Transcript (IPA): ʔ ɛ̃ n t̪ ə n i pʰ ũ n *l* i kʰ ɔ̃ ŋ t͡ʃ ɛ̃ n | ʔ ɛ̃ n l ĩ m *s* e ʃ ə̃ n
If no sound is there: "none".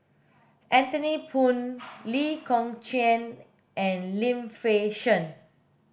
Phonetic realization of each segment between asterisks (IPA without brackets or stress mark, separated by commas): l, f